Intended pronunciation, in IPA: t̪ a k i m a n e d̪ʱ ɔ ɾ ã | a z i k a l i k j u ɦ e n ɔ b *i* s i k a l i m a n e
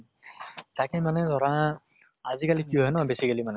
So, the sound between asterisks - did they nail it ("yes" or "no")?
no